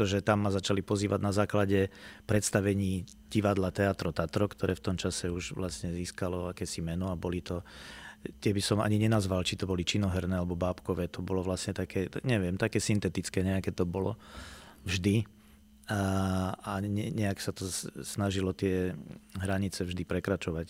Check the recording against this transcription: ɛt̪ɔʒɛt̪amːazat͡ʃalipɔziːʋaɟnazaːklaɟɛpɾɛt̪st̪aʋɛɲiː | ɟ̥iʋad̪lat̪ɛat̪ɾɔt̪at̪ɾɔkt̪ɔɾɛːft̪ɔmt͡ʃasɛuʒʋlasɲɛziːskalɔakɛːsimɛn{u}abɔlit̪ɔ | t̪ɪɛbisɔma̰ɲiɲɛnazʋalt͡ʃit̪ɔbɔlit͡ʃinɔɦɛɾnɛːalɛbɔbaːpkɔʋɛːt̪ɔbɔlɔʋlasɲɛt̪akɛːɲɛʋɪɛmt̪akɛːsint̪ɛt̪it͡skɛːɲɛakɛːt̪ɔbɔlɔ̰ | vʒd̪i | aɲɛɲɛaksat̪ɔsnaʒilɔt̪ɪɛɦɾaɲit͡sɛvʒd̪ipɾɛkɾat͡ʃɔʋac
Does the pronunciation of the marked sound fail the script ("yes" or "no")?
yes